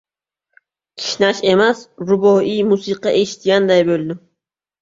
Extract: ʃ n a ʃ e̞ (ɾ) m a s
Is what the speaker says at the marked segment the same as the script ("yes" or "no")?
no